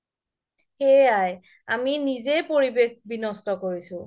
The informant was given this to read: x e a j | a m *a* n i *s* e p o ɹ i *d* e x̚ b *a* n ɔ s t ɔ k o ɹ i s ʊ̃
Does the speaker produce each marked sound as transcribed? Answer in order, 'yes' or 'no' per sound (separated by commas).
no, no, no, no